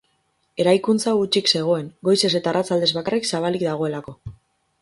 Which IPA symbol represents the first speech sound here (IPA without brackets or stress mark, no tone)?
e̞